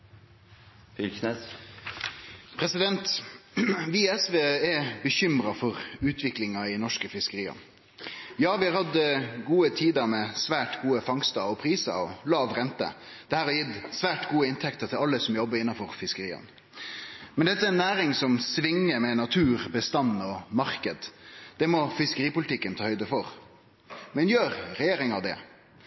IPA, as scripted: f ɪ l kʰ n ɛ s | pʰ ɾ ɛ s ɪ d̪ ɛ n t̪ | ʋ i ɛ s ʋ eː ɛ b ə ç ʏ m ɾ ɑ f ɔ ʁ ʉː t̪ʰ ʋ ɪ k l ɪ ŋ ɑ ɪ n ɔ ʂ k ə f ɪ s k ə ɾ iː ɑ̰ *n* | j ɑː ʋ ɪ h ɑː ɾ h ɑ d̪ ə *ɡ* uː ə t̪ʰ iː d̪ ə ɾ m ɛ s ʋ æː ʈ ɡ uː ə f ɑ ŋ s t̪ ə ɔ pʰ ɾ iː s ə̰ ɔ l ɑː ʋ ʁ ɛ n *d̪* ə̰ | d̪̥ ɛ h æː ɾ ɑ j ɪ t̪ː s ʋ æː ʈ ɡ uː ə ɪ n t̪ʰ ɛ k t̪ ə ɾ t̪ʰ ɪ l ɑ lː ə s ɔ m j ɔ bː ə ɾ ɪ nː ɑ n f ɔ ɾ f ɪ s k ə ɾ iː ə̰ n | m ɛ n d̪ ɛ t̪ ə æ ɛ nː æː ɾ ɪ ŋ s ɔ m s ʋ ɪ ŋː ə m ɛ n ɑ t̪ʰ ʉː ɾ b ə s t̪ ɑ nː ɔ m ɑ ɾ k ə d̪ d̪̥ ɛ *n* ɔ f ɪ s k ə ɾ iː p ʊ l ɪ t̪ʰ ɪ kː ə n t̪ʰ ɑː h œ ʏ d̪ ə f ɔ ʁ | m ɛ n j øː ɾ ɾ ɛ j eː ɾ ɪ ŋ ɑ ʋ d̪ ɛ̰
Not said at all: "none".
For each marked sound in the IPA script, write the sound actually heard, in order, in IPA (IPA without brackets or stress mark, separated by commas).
n, ɡ, t̪, m